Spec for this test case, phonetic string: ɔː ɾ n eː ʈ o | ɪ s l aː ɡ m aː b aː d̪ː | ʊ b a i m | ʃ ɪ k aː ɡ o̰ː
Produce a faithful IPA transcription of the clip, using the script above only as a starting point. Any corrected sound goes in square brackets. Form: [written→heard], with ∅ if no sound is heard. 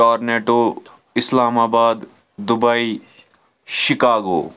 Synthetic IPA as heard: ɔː ɾ n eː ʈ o | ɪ s l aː [ɡ→∅] m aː b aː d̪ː | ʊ b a i [m→∅] | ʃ ɪ k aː ɡ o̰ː